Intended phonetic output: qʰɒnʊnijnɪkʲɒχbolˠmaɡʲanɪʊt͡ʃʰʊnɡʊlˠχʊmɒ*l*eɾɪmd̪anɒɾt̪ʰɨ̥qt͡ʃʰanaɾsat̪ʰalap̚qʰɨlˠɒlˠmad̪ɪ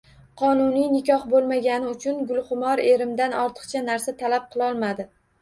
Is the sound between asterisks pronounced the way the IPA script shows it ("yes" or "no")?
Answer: no